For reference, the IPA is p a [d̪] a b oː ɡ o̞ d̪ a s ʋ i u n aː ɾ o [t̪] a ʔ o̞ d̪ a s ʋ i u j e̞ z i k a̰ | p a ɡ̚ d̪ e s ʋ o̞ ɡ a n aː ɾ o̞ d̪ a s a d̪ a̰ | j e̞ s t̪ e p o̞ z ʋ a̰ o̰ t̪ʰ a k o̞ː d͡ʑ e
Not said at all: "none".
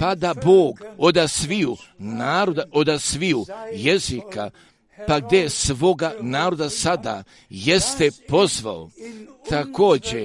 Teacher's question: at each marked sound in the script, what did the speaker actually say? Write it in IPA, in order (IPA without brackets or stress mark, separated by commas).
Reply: d̪, d̪